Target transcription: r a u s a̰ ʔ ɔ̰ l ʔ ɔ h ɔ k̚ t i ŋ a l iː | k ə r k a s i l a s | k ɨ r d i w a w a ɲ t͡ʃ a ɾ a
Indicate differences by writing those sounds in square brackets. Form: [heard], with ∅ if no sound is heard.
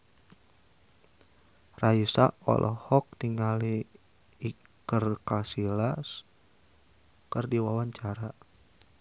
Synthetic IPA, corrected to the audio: r a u s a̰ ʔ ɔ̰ l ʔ ɔ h ɔ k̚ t i ŋ a l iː | k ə r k a s i l a s | k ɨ r d i w a w a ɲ t͡ʃ a ɾ a